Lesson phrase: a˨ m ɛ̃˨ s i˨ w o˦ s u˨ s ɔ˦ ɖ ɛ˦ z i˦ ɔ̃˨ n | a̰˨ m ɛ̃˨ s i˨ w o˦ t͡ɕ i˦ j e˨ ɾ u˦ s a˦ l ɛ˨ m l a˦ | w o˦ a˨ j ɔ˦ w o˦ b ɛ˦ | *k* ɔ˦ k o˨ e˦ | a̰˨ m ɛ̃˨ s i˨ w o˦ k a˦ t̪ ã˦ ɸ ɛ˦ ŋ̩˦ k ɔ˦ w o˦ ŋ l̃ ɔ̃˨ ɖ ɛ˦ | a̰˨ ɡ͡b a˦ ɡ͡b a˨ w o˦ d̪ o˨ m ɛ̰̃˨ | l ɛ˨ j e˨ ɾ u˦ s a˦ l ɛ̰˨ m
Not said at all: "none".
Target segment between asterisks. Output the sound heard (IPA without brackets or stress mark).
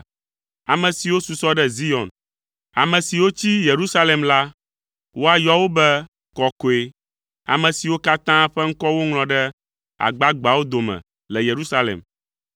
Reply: k